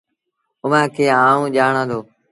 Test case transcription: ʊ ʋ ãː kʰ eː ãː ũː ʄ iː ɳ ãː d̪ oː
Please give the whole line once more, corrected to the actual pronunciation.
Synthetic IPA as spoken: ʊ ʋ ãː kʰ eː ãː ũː ʄ aː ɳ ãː d̪ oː